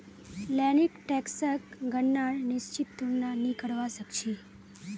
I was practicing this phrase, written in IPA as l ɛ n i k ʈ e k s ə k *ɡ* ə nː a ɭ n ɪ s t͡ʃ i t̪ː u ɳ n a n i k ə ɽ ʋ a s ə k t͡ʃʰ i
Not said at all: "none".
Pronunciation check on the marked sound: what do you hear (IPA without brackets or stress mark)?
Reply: ɡ